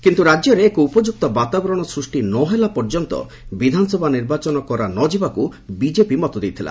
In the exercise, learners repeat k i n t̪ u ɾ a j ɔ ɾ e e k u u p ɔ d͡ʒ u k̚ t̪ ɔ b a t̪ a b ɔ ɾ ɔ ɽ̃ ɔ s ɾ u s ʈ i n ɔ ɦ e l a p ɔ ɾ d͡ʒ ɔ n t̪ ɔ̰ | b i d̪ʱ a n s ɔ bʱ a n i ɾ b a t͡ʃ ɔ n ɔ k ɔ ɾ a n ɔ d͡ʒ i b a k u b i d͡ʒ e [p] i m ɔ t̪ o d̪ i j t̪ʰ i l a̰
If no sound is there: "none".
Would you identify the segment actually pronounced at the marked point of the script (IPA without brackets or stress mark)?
p